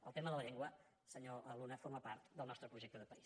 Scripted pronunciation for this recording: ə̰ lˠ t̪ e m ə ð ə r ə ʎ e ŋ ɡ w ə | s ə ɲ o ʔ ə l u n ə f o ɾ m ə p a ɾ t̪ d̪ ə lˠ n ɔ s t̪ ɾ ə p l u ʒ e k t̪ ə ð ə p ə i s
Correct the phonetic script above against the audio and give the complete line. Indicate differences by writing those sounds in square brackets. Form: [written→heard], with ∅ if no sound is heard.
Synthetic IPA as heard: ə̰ lˠ t̪ e m ə ð ə [r→l] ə ʎ e ŋ ɡ w ə | s ə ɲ o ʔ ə l u n ə f o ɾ m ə p a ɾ t̪ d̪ ə lˠ n ɔ s t̪ ɾ ə p [l→ɾ] u ʒ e k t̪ ə ð ə p ə i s